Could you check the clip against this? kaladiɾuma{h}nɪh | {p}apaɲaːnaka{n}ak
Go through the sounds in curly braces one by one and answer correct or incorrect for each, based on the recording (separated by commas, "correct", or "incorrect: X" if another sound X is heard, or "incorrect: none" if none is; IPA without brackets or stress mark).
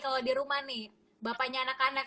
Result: correct, incorrect: b, correct